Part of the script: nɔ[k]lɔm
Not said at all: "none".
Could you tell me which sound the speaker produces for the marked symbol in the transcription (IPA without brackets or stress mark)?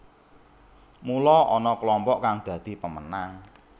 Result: k